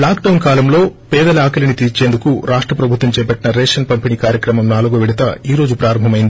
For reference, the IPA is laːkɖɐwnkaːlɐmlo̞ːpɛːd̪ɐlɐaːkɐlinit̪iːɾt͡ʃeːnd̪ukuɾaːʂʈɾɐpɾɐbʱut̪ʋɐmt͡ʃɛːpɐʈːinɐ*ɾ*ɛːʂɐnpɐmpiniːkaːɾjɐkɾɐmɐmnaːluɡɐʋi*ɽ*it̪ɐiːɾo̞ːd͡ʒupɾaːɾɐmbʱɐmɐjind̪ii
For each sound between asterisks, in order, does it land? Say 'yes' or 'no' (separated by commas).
yes, yes